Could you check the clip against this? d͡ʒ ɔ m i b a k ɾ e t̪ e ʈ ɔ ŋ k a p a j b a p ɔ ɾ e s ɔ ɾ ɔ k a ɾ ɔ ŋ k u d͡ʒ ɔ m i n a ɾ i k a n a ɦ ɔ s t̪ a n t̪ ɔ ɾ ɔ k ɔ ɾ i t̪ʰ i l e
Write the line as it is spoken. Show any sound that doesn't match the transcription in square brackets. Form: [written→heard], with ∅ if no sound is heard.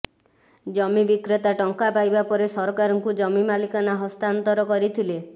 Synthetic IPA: d͡ʒ ɔ m i b [a→i] k ɾ e t̪ [e→a] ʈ ɔ ŋ k a p a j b a p ɔ ɾ e s ɔ ɾ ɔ k a ɾ ɔ ŋ k u d͡ʒ ɔ m i [n→m] a [ɾ→l] i k a n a ɦ ɔ s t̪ a n t̪ ɔ ɾ ɔ k ɔ ɾ i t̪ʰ i l e